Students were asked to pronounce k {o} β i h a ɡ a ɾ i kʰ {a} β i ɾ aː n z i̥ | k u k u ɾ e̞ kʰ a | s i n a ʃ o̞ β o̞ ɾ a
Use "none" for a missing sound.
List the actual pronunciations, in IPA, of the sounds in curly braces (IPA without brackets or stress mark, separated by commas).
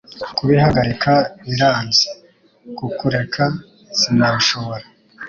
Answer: u, a